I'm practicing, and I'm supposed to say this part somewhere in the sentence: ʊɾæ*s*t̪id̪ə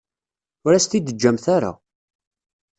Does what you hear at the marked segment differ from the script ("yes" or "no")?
no